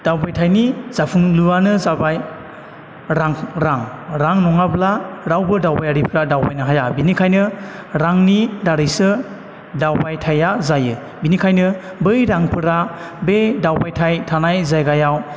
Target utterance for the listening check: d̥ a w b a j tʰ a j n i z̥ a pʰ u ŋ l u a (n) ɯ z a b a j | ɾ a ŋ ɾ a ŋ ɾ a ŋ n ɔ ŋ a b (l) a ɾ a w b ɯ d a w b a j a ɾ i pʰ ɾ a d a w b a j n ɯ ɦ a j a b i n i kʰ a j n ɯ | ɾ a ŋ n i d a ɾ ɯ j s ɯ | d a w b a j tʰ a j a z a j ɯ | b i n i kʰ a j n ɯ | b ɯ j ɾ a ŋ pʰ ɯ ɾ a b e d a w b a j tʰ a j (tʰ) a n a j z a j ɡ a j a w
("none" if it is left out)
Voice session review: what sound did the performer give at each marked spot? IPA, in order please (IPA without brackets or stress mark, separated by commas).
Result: n, l, tʰ